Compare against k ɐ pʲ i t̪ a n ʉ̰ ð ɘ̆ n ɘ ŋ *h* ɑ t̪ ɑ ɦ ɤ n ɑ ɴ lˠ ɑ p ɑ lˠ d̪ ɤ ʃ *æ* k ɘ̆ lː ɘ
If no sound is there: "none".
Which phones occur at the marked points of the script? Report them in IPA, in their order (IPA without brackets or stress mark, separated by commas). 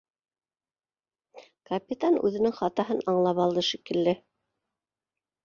χ, i